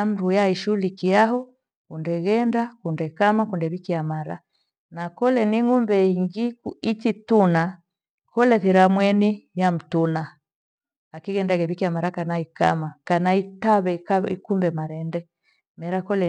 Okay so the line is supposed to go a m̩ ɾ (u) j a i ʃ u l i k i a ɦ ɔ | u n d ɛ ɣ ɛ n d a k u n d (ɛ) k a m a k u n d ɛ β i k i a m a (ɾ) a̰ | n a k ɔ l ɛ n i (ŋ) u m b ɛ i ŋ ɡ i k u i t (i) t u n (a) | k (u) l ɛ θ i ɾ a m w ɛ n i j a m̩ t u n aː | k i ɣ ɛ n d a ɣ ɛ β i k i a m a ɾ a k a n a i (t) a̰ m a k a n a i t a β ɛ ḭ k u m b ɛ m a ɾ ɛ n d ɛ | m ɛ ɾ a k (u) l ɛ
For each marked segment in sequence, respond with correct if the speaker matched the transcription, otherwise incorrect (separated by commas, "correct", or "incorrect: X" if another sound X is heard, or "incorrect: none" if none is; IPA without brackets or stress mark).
correct, correct, correct, correct, correct, correct, incorrect: ɔ, incorrect: k, incorrect: ɔ